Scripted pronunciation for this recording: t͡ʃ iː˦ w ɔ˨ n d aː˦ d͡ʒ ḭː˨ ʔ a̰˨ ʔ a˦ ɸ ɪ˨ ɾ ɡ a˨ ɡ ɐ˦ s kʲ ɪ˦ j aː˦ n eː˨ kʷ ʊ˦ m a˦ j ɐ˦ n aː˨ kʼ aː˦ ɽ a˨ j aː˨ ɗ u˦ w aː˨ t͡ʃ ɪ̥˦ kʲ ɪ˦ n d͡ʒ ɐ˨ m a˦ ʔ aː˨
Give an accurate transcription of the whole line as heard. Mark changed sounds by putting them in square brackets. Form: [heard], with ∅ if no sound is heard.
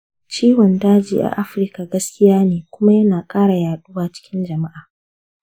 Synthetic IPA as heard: t͡ʃ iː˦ w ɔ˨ n d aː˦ d͡ʒ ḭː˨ ʔ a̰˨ ʔ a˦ ɸ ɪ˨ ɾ [k] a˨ ɡ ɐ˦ s kʲ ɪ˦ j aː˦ n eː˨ kʷ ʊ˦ m a˦ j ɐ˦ n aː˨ kʼ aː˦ ɽ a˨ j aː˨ ɗ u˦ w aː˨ t͡ʃ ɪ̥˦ kʲ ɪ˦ n d͡ʒ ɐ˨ m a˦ ʔ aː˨